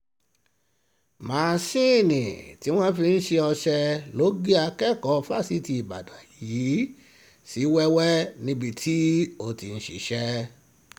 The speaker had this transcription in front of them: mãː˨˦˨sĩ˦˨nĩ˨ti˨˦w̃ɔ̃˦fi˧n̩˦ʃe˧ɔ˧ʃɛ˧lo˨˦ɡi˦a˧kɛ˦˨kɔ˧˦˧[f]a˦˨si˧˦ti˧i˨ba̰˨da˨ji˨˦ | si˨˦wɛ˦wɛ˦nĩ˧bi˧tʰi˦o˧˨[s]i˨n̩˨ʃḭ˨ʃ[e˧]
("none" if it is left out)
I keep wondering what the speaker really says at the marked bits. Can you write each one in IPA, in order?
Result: f, t, ɛ˧

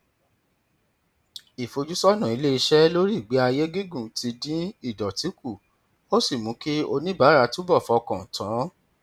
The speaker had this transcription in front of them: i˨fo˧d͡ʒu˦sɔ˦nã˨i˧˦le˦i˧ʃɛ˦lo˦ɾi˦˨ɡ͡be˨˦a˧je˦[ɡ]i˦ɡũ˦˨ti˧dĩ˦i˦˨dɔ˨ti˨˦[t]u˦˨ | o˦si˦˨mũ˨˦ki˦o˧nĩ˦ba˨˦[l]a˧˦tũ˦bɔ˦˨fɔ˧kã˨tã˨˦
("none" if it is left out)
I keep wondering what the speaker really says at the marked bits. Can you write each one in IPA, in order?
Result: ɡ, k, ɾ

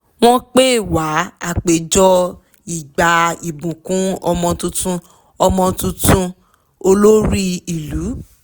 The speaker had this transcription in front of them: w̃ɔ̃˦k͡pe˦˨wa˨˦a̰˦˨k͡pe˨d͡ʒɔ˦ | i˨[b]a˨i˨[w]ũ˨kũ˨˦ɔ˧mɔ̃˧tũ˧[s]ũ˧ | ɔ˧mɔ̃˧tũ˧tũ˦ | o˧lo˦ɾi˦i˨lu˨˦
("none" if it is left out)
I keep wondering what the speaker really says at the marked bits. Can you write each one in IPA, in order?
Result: ɡ͡b, b, t

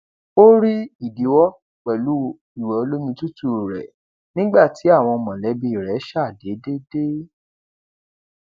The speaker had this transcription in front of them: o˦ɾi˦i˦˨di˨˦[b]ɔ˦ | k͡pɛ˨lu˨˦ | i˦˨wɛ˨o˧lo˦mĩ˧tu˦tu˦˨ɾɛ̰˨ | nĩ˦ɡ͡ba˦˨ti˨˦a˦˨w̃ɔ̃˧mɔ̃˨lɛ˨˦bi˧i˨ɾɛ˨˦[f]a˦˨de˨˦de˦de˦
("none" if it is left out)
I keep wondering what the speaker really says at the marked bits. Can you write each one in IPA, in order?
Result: w, ʃ

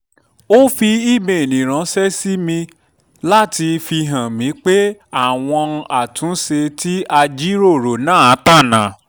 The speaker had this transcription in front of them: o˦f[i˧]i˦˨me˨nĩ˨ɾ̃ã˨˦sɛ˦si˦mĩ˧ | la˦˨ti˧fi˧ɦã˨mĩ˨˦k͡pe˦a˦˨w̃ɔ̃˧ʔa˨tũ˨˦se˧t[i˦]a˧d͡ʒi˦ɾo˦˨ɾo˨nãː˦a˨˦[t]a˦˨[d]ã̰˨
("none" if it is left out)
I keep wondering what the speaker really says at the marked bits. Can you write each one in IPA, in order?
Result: i˧, i˦, t, n

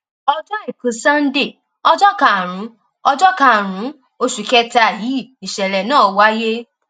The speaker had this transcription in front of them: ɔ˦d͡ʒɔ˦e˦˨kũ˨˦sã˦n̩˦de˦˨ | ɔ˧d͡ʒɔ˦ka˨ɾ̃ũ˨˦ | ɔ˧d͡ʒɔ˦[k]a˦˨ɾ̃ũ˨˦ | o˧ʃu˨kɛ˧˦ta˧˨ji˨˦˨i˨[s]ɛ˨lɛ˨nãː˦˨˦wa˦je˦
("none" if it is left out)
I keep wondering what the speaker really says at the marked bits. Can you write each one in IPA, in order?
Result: k, ʃ

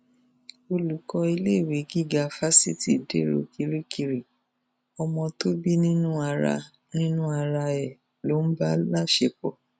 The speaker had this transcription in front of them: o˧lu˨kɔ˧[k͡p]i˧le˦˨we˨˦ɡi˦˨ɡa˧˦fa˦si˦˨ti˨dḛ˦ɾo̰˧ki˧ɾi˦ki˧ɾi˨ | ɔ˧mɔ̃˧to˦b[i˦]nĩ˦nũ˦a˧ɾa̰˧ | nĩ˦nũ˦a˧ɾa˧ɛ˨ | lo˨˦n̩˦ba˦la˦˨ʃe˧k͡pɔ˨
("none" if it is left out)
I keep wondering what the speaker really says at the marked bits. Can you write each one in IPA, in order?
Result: none, i˦

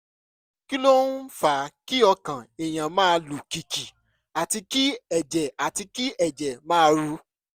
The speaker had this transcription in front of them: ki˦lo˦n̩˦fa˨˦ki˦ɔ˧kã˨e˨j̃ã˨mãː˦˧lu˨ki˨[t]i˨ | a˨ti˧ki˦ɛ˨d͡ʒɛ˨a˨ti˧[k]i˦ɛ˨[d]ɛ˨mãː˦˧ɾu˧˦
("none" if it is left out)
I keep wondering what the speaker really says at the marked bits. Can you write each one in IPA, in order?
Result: k, k, d͡ʒ

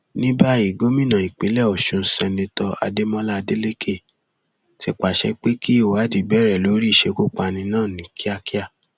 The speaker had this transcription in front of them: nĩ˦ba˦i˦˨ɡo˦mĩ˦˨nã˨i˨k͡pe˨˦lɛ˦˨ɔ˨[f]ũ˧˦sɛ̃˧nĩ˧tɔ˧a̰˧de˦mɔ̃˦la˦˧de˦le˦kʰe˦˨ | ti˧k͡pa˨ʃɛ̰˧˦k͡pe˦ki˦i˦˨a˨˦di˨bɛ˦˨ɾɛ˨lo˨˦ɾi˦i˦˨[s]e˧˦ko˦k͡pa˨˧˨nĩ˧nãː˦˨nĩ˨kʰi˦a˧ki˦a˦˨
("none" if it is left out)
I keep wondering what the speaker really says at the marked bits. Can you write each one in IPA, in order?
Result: ʃ, ʃ

